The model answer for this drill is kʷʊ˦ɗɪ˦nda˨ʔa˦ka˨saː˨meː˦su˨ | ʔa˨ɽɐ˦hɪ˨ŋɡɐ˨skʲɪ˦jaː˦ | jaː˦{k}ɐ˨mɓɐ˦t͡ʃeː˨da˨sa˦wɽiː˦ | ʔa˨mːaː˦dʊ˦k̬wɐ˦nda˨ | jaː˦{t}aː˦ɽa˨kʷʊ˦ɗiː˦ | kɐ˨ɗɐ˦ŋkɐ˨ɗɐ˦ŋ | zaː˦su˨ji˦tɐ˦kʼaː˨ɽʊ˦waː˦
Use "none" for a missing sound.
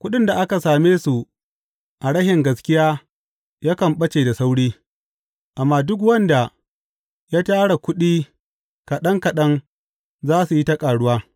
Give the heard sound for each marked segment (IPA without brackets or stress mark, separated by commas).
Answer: k, t